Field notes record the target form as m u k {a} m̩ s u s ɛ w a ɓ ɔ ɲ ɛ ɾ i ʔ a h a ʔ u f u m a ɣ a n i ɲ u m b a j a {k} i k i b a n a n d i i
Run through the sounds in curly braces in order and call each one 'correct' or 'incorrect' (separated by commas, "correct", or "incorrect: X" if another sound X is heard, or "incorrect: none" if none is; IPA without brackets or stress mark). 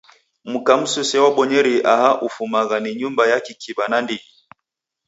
correct, correct